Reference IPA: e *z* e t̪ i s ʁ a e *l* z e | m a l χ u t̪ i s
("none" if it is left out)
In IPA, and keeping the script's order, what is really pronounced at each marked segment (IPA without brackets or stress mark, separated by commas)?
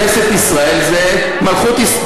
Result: s, l